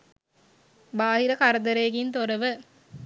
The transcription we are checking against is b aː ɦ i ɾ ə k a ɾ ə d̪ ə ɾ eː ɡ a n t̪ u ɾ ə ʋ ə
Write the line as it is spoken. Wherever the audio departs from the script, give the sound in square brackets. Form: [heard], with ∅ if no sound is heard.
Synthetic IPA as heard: b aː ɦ i ɾ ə k a ɾ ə d̪ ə ɾ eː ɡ [i] n t̪ [o] ɾ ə ʋ ə